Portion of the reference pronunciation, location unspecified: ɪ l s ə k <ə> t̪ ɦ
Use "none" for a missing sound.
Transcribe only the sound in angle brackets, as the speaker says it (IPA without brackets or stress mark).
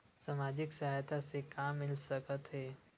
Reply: ə